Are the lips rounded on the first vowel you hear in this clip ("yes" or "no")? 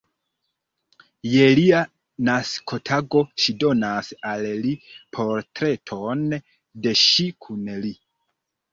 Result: no